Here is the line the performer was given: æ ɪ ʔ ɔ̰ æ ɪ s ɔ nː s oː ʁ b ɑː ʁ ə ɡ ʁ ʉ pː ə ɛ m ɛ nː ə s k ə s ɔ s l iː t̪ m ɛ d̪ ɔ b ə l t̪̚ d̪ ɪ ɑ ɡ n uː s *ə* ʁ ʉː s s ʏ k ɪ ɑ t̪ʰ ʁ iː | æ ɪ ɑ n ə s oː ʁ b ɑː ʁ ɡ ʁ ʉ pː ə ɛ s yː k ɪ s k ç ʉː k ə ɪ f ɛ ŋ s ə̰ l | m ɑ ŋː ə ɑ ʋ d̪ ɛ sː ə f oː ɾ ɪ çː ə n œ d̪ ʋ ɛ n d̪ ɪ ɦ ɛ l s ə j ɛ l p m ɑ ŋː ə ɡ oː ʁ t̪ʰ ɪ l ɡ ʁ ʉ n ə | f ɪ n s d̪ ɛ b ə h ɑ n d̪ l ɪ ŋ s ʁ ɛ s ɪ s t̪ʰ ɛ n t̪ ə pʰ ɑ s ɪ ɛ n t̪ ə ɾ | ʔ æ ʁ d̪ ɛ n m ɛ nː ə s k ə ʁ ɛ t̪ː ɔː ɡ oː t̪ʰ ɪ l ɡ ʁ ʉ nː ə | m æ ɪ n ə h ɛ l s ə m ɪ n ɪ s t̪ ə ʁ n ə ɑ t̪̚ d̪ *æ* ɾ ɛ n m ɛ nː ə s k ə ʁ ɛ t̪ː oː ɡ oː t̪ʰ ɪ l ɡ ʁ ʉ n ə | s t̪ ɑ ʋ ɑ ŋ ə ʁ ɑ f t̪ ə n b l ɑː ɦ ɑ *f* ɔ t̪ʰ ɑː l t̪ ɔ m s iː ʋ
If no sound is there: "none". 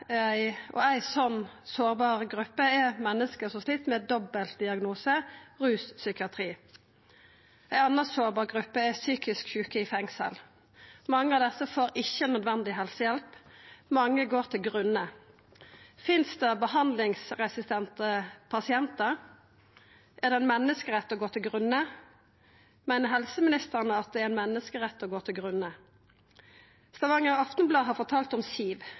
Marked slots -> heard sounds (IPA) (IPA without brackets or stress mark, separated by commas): ə, ɛ, f